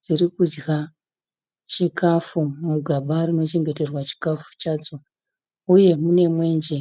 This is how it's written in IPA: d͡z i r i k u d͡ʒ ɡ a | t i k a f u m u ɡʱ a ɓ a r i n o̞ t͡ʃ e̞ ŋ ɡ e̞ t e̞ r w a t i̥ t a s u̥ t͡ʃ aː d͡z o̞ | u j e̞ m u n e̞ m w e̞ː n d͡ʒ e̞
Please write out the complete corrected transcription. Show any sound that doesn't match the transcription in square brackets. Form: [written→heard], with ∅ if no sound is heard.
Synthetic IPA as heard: d͡z i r i k u d͡ʒ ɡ a | [t→t͡ʃ] i k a f u m u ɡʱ a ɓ a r i n o̞ t͡ʃ e̞ ŋ ɡ e̞ t e̞ r w a [t→t͡ʃ] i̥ [t→k] a [s→f] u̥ t͡ʃ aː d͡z o̞ | u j e̞ m u n e̞ m w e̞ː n d͡ʒ e̞

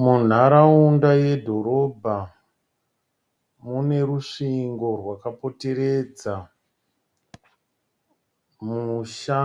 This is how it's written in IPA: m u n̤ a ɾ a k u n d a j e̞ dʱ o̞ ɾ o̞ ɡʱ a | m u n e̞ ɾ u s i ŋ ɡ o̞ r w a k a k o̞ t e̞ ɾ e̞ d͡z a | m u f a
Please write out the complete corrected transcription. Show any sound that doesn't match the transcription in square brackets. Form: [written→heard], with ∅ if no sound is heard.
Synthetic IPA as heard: m u n̤ a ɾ a [k→∅] u n d a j e̞ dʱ o̞ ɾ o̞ [ɡʱ→bʱ] a | m u n e̞ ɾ u [s→ʂ] i ŋ ɡ o̞ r w a k a [k→p] o̞ t e̞ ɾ e̞ d͡z a | m u [f→ʃ] a

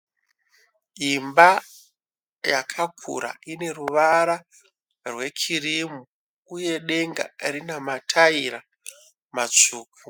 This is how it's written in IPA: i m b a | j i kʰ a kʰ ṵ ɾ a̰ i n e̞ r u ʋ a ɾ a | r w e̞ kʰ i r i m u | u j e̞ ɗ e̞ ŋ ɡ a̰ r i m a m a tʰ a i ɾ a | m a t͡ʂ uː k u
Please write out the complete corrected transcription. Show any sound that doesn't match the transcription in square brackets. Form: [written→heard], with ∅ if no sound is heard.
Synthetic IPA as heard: i m b a | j [i→a] kʰ a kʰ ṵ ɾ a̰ i n e̞ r u ʋ a ɾ a | r w e̞ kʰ i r i m u | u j e̞ ɗ e̞ ŋ ɡ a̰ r i [m→n] a m a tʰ a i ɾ a | m a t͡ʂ uː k u

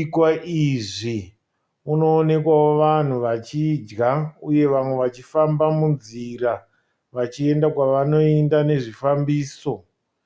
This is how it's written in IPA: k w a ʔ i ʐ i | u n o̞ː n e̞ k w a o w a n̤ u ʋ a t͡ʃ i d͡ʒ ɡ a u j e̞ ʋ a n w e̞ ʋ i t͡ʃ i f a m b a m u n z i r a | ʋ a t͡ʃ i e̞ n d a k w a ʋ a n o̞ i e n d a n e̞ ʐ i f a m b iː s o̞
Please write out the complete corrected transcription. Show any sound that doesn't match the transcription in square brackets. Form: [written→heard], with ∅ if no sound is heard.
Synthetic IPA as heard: k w a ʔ i ʐ i | u n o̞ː n e̞ k w a o [w→ʋ] a n̤ u ʋ a t͡ʃ i d͡ʒ ɡ a u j e̞ ʋ a [n→m] w e̞ ʋ [i→a] t͡ʃ i f a m b a m u n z i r a | ʋ a t͡ʃ i e̞ n d a k w a ʋ a n o̞ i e n d a n e̞ ʐ i f a m b iː s o̞

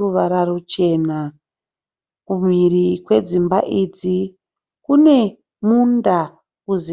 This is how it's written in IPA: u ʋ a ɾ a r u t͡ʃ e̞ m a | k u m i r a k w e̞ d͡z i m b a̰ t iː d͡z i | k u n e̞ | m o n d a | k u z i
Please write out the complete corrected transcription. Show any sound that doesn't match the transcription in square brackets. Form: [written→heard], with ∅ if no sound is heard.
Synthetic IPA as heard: u ʋ a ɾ a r u t͡ʃ e̞ [m→n] a | k u m i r [a→i] k w e̞ d͡z i m b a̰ [t→ʔ] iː d͡z i | k u n e̞ | m [o→u] n d a | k u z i

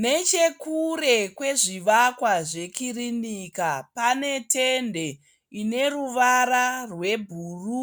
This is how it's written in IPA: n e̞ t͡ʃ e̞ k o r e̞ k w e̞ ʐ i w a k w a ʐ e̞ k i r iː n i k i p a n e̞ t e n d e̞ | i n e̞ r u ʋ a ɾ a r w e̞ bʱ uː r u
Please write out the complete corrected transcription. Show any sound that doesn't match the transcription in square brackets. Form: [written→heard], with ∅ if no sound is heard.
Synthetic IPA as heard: n e̞ t͡ʃ e̞ k [o→u] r e̞ k w e̞ ʐ i [w→ʋ] a k w a ʐ e̞ k i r [iː→i] n i k [i→a] p a n e̞ t e n d e̞ | i n e̞ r u ʋ a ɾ a r w e̞ bʱ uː r u

